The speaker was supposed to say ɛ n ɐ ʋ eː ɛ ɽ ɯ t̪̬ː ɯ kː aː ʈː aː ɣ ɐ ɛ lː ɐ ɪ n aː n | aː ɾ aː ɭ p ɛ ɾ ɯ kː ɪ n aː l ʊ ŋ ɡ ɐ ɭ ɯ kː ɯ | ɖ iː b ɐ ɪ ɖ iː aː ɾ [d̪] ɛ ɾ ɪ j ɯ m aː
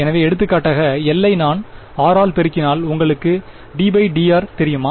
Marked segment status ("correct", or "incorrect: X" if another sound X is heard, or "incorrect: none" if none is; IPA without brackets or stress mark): incorrect: t̪